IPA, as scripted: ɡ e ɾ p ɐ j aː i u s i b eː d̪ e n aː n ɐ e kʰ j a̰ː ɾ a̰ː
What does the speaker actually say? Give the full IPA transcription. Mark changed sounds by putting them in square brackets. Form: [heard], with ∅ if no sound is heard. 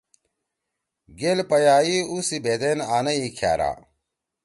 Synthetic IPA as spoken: ɡ e [l] p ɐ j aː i u s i b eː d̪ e n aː n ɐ [i] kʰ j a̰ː ɾ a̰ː